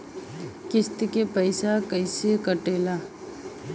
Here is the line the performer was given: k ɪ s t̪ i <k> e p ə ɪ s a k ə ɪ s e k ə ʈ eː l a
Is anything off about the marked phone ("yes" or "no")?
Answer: no